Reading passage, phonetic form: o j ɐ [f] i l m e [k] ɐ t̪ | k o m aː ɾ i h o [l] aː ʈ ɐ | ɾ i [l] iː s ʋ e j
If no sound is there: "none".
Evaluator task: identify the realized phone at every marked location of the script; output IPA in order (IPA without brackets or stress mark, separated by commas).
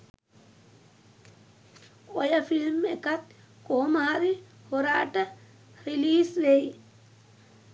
f, k, ɾ, l